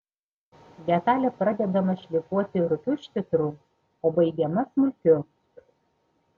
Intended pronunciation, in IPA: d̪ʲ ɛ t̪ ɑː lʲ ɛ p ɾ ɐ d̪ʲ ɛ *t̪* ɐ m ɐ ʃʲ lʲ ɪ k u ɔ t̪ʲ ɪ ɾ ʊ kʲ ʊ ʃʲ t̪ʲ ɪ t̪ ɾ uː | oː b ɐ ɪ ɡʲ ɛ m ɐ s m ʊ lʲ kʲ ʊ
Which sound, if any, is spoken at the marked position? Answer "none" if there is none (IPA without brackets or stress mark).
d̪